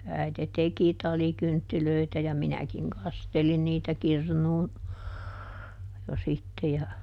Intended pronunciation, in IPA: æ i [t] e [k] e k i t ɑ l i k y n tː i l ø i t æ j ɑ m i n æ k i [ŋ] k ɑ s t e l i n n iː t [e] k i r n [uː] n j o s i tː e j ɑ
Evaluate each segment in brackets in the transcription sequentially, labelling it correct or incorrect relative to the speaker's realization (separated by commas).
correct, incorrect, correct, incorrect, correct